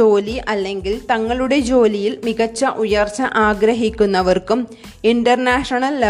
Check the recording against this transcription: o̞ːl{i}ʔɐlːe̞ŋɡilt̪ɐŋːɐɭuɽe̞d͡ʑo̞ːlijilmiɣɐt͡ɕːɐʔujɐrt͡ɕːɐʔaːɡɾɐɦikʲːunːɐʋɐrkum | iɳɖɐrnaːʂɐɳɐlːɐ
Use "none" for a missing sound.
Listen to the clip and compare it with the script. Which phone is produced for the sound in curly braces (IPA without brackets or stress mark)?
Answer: i